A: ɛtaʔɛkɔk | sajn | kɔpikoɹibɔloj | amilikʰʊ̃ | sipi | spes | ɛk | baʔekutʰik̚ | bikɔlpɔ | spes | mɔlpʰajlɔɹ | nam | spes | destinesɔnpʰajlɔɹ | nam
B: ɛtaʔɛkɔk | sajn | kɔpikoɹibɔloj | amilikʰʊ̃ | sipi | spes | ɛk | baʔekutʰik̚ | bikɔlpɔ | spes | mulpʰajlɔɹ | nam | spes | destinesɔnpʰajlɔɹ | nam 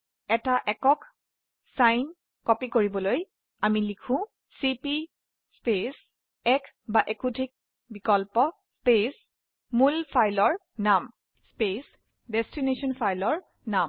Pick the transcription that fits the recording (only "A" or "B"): B